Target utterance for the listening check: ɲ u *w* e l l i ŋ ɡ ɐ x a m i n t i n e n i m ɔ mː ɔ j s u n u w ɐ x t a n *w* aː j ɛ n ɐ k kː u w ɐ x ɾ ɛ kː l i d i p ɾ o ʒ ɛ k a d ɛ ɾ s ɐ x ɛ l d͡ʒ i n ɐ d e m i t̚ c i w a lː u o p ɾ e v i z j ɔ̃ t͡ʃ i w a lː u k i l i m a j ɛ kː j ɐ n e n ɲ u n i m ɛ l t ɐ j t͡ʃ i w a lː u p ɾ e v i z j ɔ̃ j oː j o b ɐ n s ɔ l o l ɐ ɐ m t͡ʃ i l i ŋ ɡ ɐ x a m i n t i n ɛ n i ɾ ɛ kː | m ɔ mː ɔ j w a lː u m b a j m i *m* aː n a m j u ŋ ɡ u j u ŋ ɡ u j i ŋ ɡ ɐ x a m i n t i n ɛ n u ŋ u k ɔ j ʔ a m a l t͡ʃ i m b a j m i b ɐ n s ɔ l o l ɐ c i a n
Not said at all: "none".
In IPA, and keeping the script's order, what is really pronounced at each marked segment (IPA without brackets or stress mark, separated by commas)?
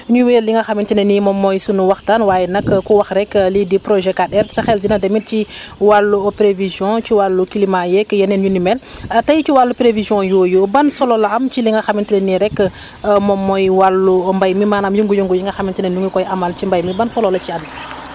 w, w, m